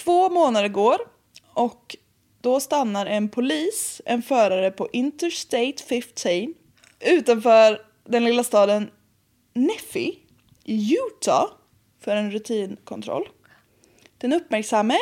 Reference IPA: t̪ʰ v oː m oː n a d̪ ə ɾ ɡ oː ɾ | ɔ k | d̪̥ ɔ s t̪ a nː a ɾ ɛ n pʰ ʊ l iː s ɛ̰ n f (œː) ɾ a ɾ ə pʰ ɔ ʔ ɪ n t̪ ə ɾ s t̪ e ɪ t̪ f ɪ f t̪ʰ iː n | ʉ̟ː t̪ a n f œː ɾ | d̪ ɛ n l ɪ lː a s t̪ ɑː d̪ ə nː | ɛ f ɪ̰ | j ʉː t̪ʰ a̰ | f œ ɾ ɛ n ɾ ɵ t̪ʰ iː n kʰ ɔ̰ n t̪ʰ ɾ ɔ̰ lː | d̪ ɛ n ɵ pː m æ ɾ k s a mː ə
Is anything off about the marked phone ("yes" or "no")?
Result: no